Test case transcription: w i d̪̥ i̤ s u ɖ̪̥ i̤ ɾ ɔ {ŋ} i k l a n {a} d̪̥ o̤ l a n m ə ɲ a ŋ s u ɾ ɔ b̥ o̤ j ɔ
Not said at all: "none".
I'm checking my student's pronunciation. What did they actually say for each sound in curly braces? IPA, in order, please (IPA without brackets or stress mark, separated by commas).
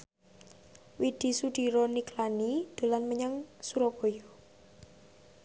n, i